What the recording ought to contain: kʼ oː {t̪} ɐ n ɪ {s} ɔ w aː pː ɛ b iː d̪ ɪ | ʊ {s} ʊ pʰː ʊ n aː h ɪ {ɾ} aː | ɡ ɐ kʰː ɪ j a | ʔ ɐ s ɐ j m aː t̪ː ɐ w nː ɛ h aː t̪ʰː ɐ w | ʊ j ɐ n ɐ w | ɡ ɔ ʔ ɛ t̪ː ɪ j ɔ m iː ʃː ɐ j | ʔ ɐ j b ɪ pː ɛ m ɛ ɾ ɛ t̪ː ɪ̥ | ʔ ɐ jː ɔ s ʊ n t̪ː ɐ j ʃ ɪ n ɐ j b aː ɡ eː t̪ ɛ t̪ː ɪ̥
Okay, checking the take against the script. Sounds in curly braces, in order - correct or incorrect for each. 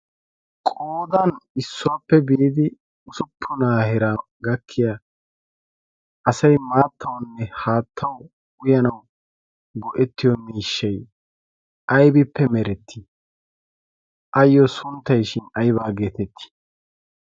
incorrect: d̪, incorrect: sː, correct, correct

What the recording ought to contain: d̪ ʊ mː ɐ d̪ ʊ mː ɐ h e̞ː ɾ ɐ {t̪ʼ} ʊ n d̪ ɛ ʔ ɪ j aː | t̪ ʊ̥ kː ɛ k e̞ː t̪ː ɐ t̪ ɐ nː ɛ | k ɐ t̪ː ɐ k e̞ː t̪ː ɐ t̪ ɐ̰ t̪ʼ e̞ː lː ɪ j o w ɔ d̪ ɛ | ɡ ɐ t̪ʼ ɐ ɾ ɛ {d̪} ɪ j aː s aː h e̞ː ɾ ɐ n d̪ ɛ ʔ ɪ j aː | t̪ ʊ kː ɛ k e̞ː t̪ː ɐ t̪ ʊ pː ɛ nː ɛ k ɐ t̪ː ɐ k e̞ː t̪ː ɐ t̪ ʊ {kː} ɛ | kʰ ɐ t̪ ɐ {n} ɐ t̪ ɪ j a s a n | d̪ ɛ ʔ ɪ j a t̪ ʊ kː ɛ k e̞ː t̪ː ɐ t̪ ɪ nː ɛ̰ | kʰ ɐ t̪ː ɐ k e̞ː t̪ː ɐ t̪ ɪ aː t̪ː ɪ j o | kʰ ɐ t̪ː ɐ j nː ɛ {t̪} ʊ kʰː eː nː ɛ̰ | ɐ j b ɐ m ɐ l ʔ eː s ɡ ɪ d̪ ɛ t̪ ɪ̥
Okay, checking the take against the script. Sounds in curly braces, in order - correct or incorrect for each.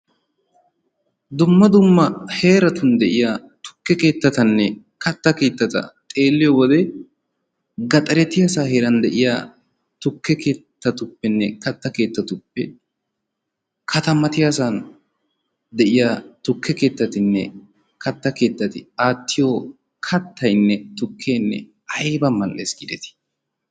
incorrect: t̪, incorrect: t̪, incorrect: pː, incorrect: m, correct

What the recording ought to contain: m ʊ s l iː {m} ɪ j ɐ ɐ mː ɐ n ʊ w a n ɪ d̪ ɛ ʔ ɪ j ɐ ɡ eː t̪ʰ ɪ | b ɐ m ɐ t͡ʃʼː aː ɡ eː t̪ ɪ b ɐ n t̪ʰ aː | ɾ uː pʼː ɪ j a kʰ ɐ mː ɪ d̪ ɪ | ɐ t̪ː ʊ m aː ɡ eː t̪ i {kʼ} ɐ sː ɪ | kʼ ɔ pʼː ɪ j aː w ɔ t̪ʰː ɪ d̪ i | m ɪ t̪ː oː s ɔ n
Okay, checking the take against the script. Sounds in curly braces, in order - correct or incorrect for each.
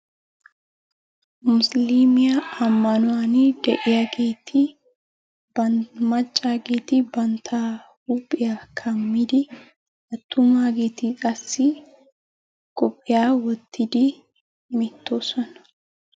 correct, correct

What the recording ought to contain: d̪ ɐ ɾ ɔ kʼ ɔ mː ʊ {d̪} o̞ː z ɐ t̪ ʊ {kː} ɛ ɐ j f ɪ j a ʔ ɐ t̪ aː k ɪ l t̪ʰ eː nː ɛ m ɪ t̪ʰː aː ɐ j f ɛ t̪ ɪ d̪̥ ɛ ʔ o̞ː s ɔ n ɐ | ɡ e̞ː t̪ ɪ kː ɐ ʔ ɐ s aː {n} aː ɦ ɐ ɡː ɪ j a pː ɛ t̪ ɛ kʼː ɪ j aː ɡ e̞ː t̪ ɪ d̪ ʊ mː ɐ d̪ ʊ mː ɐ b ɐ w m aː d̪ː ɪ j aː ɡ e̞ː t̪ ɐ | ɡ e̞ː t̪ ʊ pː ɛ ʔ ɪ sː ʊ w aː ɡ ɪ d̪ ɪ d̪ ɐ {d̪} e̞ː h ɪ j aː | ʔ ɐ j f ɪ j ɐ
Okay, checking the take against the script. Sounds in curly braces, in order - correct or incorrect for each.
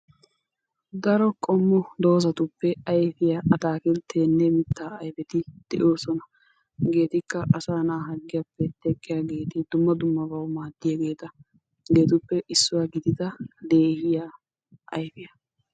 correct, incorrect: pː, correct, correct

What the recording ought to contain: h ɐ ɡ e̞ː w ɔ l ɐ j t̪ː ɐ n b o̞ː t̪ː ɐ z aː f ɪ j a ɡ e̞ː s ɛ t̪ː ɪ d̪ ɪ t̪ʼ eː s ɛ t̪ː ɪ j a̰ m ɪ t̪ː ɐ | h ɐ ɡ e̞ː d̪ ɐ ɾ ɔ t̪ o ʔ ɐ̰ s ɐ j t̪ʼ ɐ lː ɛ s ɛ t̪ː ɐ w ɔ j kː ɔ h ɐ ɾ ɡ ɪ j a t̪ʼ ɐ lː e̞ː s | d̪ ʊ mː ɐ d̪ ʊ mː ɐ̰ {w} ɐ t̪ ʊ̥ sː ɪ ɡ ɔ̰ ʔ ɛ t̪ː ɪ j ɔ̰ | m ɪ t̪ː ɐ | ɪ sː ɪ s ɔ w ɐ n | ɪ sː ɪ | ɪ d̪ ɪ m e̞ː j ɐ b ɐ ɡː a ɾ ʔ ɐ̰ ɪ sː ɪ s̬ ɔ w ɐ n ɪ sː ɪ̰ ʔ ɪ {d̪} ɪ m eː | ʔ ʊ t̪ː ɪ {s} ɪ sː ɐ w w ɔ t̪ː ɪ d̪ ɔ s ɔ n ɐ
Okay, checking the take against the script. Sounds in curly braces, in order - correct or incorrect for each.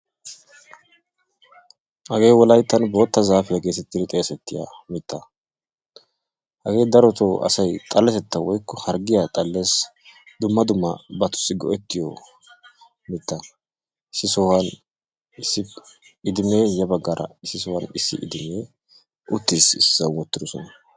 incorrect: b, correct, correct

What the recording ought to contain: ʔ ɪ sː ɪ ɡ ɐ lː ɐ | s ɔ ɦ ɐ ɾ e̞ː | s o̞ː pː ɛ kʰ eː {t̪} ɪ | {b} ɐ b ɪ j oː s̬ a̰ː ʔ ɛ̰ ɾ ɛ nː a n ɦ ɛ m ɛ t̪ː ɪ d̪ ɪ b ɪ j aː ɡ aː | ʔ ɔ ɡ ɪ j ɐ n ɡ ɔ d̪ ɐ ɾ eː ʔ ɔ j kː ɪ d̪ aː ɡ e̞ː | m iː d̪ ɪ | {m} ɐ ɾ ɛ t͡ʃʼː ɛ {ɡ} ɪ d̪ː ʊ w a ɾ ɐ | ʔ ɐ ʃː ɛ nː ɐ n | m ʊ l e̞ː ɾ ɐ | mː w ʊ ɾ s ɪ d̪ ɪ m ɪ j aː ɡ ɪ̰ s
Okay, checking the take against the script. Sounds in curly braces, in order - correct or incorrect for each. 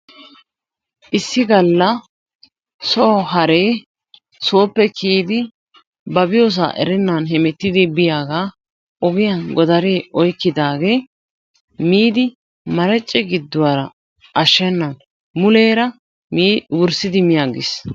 incorrect: d̪, correct, correct, correct

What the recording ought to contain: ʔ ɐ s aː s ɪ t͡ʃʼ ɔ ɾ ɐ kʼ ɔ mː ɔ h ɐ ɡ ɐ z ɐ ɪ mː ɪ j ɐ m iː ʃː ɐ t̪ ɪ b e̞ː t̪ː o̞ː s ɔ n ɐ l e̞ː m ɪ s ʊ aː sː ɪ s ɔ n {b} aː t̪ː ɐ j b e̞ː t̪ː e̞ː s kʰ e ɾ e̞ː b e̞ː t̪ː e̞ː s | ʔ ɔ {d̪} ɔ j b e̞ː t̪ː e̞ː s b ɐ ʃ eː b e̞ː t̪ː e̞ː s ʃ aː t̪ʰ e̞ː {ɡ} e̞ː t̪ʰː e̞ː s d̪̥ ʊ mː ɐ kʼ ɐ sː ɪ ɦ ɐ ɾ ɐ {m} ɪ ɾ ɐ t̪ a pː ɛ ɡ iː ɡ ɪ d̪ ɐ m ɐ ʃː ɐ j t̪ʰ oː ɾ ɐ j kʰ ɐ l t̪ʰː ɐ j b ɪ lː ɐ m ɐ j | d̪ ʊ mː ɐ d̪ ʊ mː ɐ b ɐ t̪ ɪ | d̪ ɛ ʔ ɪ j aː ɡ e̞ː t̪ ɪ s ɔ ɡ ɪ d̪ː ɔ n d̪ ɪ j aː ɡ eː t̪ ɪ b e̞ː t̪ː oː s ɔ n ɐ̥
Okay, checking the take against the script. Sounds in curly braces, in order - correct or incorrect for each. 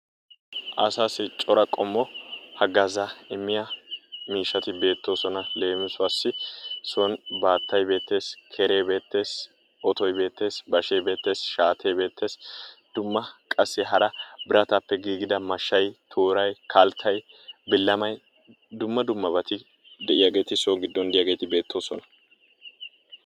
correct, incorrect: t̪, incorrect: b, incorrect: b

